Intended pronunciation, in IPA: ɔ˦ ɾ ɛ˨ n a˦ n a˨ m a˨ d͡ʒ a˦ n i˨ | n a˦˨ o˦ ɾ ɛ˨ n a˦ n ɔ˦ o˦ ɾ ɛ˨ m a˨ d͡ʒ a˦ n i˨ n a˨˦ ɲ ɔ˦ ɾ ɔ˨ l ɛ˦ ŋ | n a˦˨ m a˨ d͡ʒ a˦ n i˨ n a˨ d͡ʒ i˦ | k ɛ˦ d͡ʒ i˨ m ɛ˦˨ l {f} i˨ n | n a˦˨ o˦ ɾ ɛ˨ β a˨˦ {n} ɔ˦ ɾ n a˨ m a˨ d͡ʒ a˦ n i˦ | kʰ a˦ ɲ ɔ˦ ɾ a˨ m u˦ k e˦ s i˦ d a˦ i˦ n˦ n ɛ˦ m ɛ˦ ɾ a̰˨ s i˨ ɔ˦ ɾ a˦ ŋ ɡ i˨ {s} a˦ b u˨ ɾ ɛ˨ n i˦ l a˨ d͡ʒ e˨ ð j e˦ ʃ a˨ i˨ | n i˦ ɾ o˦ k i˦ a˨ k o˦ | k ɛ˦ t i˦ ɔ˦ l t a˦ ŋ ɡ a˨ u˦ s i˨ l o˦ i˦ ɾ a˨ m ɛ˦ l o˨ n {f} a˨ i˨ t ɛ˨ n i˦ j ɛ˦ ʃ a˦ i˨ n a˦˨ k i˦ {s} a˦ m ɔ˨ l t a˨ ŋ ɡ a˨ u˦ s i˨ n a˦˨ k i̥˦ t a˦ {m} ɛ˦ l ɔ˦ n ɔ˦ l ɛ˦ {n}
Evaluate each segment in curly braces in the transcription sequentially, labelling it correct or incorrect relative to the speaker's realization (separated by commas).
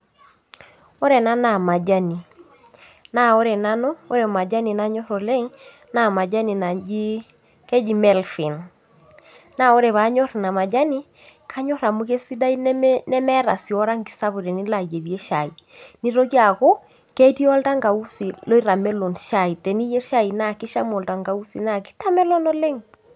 correct, incorrect, correct, incorrect, incorrect, correct, incorrect